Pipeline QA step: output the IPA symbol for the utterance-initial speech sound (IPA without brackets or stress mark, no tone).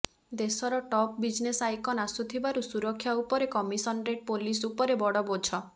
d̪